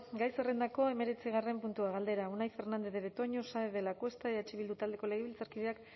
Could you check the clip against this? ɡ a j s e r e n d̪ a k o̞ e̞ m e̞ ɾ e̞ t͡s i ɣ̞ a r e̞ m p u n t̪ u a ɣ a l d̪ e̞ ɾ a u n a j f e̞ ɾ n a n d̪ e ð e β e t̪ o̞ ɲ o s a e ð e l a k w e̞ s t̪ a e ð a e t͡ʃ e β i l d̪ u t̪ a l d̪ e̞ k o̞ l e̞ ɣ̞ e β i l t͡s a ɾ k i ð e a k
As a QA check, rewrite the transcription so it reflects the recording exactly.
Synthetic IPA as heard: ɡ a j s e r e n d̪ a k o̞ e̞ m e̞ ɾ e̞ t͡s i ɣ̞ a r e̞ m p u n t̪ u a ɣ a l d̪ e̞ ɾ a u n a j f e̞ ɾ n a n d̪ e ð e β e t̪ o̞ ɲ o s a e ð e l a k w e̞ s t̪ a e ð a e t͡ʃ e β i l d̪ u t̪ a l d̪ e̞ k o̞ l e̞ ɣ̞ e β i l t͡s a ɾ k i ð e a k